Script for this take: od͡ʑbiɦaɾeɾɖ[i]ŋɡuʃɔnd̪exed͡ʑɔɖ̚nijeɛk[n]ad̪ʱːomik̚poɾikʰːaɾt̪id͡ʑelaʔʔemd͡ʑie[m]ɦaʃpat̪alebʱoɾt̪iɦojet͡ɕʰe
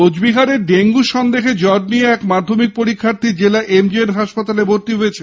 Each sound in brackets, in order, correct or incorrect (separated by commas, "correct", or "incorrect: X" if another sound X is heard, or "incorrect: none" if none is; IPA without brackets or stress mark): incorrect: e, incorrect: m, incorrect: n